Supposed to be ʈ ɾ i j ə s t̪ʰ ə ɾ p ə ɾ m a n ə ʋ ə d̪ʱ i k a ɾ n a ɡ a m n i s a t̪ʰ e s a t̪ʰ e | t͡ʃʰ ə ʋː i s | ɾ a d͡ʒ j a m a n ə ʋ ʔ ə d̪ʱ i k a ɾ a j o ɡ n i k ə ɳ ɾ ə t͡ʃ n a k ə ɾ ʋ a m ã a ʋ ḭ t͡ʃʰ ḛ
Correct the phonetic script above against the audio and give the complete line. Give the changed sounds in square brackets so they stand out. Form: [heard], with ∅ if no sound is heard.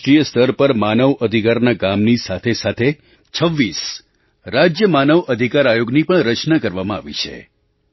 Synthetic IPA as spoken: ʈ ɾ i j ə s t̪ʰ ə ɾ p ə ɾ m a n ə ʋ ə d̪ʱ i k a ɾ n a ɡ a m n i s a t̪ʰ e s a t̪ʰ e | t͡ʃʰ ə ʋː i s | ɾ a d͡ʒ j [ə] m a n ə ʋ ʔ ə d̪ʱ i k a ɾ a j o ɡ n i [p] ə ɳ ɾ ə t͡ʃ n a k ə ɾ ʋ a m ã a ʋ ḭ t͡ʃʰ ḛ